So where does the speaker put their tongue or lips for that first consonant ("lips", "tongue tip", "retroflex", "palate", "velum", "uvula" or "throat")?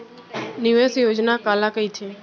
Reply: tongue tip